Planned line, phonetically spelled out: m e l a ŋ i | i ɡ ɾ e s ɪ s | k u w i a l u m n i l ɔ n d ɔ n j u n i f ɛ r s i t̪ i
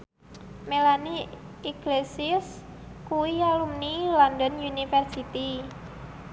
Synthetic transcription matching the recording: m e l a n i | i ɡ l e s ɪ s | k u w i a l u m n i l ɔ n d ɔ n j u n i f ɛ r s i t̪ i